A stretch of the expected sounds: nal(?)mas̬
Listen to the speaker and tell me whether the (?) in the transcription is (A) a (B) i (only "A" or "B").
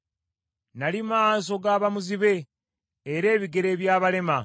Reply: B